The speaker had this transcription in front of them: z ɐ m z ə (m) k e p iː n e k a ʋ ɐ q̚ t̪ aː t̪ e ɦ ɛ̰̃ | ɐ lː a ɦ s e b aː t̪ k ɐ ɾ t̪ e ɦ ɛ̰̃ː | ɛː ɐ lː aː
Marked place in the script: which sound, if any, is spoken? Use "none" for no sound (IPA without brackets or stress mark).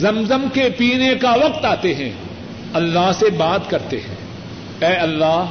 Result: m